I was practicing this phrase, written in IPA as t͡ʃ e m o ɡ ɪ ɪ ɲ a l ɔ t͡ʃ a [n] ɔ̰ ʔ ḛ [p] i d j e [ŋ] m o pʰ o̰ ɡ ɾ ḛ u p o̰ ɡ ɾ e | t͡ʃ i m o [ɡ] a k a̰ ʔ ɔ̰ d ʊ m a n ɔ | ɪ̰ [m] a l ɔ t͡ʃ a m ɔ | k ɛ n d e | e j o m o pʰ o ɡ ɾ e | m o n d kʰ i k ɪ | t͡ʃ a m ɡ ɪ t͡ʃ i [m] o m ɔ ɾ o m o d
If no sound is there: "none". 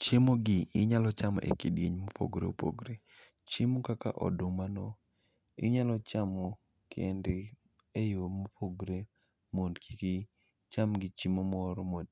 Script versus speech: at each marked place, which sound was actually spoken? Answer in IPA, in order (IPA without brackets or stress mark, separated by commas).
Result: m, k, ɲ, k, ɲ, m